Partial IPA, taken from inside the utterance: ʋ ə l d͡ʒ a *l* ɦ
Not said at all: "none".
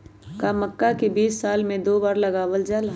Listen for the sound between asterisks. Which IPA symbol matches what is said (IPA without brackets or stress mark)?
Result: l